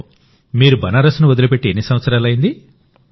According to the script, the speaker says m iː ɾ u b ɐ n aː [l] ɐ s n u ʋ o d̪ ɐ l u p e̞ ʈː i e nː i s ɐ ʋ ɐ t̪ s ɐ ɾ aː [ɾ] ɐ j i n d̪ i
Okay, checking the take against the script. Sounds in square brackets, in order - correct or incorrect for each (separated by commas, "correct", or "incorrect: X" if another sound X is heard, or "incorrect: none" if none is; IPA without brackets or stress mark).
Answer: incorrect: ɾ, incorrect: l